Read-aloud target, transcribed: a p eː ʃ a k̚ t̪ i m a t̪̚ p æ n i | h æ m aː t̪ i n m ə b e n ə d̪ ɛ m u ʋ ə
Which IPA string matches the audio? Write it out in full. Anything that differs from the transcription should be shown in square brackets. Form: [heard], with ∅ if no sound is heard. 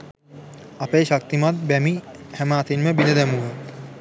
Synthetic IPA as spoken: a p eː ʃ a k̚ t̪ i m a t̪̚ [b] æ [m] i | h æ m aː t̪ i n m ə b [i] n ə d̪ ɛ m u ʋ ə